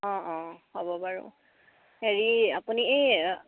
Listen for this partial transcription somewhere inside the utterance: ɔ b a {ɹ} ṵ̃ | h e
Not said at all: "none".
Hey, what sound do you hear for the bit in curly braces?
ɹ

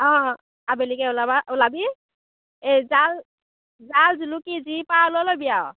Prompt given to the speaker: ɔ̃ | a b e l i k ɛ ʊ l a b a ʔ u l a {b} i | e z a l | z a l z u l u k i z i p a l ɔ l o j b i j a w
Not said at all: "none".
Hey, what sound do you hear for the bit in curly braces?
b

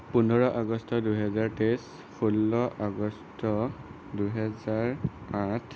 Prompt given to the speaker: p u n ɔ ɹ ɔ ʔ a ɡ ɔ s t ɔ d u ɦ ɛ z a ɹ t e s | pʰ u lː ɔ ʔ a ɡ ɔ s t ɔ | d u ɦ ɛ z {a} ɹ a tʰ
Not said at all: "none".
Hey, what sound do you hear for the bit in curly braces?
a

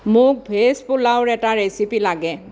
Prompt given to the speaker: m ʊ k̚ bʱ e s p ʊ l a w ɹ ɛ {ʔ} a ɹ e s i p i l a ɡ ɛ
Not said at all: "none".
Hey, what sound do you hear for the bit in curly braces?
t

